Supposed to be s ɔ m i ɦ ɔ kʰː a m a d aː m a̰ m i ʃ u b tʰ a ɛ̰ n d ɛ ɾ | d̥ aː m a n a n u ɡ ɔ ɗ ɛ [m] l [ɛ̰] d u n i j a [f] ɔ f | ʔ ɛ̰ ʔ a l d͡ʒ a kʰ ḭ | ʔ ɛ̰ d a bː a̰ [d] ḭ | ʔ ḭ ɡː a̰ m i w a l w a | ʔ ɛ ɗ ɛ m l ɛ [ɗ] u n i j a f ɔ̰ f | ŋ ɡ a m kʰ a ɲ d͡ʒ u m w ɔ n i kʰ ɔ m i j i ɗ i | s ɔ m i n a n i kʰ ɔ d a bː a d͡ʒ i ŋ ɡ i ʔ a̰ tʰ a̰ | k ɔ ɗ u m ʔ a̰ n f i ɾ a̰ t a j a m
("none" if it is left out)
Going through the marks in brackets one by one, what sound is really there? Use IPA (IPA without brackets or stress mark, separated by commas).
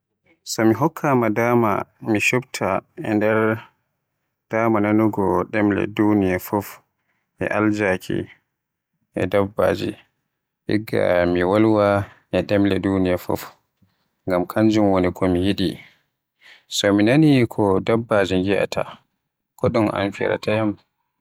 m, ɛ̰, f, d͡ʒ, d